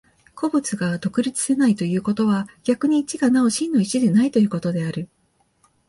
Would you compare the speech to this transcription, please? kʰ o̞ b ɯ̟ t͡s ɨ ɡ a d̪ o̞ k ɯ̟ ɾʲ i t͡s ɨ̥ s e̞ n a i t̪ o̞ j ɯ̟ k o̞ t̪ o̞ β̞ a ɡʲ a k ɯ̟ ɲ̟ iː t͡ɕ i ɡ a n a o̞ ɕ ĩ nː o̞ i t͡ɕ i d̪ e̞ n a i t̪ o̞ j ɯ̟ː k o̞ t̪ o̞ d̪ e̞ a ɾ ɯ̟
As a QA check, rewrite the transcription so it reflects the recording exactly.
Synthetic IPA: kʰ o̞ b ɯ̟ t͡s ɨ ɡ a d̪ o̞ k ɯ̟ ɾʲ i t͡s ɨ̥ s e̞ n a i t̪ o̞ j ɯ̟ː k o̞ t̪ o̞ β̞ a ɡʲ a k ɯ̟ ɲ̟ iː t͡ɕ i ɡ a n a o̞ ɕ ĩ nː o̞ i t͡ɕ i d̪ e̞ n a i t̪ o̞ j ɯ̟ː k o̞ t̪ o̞ d̪ e̞ a ɾ ɯ̟